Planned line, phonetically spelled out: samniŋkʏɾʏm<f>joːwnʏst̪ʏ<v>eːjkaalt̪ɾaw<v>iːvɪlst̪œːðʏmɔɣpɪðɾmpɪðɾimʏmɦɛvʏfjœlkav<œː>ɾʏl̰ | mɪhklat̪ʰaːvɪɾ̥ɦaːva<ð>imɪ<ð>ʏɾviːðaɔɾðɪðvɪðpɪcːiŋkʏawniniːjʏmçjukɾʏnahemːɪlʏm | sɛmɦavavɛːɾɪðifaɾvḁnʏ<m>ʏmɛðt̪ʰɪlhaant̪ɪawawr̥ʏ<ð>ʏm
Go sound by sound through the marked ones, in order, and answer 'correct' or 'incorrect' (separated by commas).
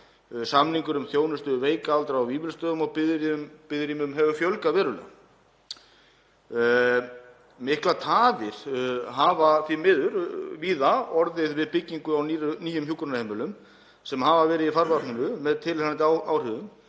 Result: incorrect, correct, correct, incorrect, incorrect, correct, incorrect, correct